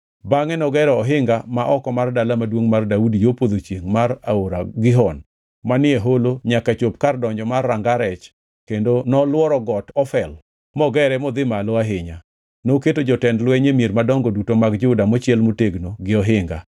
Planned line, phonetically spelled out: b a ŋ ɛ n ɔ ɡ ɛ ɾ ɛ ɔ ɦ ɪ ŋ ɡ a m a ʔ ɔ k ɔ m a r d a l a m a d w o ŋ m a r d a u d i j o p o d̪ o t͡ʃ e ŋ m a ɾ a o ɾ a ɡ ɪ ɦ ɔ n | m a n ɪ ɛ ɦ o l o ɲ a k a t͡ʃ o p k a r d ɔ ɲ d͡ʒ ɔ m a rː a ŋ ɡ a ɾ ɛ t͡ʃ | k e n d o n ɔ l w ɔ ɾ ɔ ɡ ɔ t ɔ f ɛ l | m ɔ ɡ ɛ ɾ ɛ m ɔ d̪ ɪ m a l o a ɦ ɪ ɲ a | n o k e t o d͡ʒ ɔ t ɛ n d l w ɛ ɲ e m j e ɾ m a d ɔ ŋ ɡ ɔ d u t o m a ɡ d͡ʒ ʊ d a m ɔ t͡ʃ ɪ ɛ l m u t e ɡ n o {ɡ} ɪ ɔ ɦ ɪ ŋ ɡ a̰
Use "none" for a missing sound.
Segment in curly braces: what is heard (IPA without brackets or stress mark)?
ɡ